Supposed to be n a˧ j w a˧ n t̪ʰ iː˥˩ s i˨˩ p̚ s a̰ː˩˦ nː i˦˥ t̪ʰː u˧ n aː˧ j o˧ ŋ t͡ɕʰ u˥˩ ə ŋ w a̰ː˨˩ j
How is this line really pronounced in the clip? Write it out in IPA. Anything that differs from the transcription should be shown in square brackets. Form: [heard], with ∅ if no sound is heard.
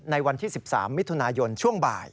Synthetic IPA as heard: n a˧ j w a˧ n t̪ʰ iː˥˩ s i˨˩ p̚ s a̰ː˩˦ [mː] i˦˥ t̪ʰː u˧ n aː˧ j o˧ [n] t͡ɕʰ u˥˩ ə ŋ [b] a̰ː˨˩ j